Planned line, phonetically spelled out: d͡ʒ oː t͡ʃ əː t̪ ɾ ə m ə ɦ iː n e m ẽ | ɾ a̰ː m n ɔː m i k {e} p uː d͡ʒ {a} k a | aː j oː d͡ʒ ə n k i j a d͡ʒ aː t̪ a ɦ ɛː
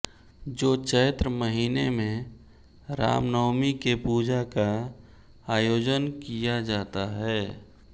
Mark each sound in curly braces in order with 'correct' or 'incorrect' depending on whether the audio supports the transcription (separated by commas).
correct, correct